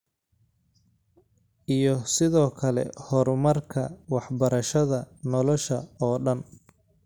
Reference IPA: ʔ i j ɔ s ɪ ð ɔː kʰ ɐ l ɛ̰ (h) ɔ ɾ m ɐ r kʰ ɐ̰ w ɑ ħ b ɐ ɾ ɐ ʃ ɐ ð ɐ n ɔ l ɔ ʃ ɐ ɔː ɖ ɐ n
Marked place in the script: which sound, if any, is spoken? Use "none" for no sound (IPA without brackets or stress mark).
h